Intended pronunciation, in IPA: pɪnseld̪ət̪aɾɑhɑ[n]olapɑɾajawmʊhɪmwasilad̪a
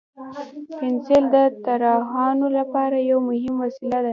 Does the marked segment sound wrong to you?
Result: no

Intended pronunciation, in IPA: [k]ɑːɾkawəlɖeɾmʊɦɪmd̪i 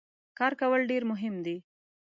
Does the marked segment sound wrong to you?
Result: no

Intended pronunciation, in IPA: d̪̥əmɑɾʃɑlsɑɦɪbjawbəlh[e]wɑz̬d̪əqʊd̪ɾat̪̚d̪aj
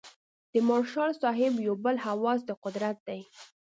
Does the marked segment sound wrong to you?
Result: yes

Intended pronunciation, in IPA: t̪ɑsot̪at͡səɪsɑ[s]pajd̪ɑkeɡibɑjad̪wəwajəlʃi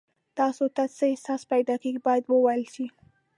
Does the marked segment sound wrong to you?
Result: no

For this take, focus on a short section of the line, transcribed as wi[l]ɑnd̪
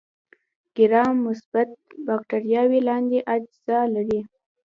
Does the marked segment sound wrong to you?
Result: no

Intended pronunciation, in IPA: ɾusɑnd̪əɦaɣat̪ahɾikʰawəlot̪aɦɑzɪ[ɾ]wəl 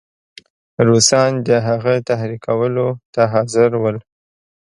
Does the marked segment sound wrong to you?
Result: no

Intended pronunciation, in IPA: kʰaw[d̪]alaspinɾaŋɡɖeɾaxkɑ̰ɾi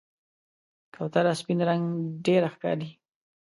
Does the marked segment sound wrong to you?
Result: yes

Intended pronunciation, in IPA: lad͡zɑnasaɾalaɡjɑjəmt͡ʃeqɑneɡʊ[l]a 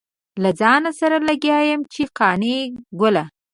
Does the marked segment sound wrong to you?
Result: no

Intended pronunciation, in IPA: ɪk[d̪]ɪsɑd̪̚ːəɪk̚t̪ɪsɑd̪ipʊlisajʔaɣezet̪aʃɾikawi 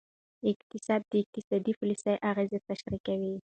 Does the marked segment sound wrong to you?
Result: yes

